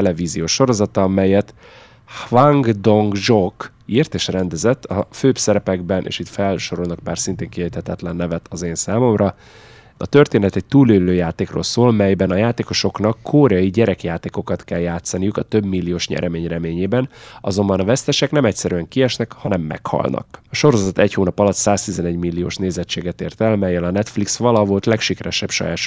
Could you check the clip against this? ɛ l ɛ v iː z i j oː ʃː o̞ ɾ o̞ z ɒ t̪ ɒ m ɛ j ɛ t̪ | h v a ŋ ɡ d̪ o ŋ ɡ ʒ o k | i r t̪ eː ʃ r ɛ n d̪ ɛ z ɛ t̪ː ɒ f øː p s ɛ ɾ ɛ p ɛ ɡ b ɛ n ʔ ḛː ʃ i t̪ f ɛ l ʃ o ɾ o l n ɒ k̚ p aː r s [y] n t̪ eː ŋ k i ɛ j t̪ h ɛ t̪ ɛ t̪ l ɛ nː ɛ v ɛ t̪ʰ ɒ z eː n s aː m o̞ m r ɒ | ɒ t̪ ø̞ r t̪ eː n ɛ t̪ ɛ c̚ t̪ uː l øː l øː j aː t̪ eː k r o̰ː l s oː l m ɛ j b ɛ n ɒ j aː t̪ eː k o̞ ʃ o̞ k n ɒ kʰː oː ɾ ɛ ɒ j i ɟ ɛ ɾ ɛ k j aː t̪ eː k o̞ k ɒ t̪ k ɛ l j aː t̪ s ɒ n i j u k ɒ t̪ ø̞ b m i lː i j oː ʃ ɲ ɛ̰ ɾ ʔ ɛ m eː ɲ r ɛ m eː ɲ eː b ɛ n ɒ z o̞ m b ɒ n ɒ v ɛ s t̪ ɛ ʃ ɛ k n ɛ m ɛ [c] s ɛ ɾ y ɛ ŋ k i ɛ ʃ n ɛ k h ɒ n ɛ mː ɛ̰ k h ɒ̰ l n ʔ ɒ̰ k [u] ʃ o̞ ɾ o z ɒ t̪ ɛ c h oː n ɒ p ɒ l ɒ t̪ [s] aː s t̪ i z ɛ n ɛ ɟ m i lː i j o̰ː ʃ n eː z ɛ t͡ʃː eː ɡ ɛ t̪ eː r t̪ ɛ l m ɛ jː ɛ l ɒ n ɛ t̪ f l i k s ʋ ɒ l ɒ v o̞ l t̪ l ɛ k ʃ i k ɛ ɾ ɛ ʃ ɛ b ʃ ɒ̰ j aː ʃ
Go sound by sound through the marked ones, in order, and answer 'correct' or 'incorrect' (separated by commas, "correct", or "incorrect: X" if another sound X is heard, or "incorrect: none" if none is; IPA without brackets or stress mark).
incorrect: i, correct, incorrect: ɒ, correct